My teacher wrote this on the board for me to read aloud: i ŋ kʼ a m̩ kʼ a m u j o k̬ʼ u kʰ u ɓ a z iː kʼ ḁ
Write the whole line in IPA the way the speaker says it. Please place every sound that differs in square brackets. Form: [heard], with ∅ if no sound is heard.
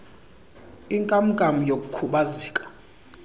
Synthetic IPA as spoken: i ŋ kʼ a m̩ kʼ a m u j o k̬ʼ u kʰ u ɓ a z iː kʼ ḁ